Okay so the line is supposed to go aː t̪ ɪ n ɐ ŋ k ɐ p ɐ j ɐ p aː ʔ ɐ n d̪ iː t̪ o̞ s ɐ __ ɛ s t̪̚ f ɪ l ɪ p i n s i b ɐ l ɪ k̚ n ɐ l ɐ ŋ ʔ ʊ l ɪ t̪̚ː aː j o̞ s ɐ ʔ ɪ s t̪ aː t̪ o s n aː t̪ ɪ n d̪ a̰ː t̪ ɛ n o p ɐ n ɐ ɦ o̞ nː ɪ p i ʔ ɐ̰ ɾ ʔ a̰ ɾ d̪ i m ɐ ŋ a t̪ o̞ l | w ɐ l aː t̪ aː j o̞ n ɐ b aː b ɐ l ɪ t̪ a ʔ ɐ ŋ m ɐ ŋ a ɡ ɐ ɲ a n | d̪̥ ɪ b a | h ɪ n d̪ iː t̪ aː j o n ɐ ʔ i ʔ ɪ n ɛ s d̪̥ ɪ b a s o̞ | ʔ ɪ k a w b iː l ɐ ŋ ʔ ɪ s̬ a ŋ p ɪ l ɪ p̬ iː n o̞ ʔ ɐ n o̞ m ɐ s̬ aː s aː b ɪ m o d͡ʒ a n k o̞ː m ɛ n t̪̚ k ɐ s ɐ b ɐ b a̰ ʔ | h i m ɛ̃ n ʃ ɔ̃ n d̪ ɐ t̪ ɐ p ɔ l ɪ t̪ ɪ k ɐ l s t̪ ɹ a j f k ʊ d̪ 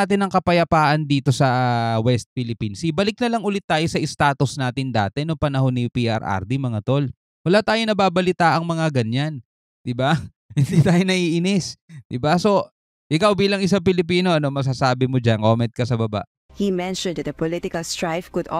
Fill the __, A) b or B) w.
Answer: B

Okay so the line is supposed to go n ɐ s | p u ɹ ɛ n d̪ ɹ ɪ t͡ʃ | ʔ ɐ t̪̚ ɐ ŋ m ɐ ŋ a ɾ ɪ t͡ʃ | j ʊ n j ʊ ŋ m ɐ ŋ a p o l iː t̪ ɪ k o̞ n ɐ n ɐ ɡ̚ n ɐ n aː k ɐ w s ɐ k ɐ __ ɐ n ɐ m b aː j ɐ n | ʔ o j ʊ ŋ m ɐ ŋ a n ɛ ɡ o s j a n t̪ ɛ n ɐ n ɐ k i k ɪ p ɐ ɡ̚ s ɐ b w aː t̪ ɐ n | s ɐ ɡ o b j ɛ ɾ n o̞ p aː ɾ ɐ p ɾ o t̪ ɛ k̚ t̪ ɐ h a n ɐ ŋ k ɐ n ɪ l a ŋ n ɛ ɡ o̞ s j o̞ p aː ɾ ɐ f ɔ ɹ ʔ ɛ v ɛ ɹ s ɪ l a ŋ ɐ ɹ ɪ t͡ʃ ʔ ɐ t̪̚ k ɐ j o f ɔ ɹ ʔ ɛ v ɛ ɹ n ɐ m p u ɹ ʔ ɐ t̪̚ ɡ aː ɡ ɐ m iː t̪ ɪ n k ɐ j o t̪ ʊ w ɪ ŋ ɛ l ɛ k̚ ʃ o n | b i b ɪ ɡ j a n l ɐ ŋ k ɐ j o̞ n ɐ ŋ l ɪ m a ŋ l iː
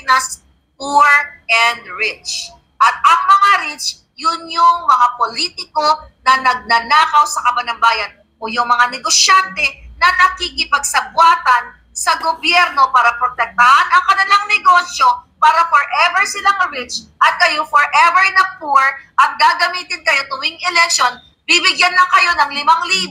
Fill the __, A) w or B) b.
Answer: B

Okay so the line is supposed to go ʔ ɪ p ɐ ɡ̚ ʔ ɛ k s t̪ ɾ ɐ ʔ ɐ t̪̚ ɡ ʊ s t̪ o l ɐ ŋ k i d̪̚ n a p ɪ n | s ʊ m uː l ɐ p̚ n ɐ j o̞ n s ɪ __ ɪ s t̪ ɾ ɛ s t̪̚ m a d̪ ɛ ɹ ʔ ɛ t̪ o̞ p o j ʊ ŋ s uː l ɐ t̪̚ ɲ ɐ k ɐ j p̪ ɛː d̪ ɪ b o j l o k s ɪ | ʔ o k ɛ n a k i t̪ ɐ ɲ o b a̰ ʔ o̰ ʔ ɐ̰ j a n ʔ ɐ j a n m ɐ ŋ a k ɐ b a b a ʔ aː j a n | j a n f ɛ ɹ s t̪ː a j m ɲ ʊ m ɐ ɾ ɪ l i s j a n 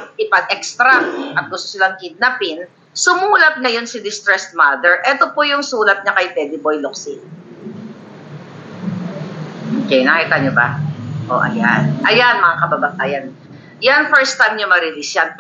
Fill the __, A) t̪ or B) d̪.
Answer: B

